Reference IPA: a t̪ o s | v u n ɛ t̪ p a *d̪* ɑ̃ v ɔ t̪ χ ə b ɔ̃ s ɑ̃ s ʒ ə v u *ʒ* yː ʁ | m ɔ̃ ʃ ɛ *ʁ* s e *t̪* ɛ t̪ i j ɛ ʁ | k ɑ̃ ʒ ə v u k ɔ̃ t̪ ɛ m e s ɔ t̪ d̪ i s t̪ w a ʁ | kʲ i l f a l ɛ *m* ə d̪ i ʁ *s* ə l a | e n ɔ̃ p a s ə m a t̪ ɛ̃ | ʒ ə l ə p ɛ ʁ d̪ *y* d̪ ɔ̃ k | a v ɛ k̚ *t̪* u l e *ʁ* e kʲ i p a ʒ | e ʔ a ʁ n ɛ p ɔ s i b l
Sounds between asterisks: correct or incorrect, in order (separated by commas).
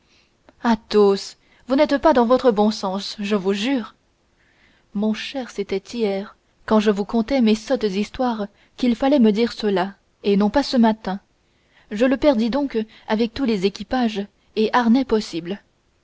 correct, correct, correct, correct, correct, correct, incorrect, correct, incorrect